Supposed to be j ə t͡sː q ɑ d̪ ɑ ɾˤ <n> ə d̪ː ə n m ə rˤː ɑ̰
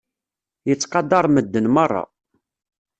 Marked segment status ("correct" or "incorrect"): incorrect